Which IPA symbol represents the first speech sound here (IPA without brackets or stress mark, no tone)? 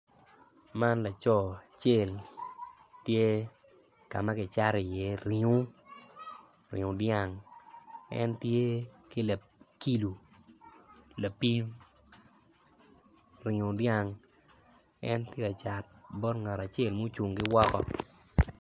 m